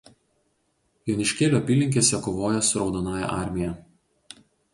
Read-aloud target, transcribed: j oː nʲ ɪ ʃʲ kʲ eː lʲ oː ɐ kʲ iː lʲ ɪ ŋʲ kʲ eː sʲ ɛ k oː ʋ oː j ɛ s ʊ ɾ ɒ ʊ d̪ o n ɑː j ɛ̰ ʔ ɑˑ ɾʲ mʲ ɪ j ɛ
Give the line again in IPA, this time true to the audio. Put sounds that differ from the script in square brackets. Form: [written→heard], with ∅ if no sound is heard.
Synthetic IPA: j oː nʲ ɪ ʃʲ kʲ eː lʲ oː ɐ [kʲ→pʲ] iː lʲ ɪ ŋʲ kʲ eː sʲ ɛ k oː ʋ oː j ɛ s ʊ ɾ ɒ ʊ d̪ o n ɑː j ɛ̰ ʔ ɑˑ ɾʲ mʲ ɪ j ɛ